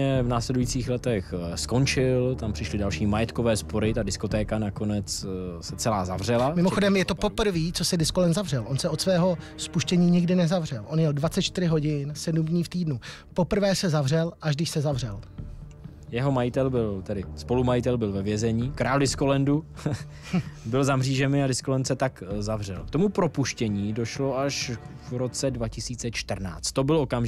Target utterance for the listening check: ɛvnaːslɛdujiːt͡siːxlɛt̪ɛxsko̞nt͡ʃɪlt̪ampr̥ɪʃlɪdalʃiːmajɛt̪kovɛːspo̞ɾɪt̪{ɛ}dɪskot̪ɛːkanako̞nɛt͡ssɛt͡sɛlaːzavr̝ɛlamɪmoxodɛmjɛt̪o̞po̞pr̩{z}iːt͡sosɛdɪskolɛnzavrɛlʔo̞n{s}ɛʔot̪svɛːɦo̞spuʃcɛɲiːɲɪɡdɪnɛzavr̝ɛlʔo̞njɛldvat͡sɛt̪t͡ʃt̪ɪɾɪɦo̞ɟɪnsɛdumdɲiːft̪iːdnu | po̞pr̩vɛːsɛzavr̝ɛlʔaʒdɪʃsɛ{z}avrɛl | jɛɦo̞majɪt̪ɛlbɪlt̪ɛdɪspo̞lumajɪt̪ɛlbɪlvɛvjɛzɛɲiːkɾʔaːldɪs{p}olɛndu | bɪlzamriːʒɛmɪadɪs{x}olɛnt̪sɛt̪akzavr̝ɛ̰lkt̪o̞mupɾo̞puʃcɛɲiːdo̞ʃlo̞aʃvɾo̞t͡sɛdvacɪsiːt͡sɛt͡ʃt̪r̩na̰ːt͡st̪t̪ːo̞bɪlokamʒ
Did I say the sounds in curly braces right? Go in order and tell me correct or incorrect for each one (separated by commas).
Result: incorrect, incorrect, correct, correct, incorrect, incorrect